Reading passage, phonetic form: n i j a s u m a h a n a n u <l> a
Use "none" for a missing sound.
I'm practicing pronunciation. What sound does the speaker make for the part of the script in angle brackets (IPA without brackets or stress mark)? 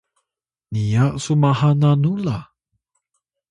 l